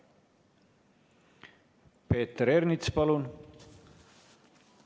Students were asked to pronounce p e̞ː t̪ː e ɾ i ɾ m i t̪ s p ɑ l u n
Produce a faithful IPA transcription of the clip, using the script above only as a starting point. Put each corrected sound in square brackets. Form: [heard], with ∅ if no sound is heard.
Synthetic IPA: p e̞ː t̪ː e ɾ [e] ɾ [n] i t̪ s p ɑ l u n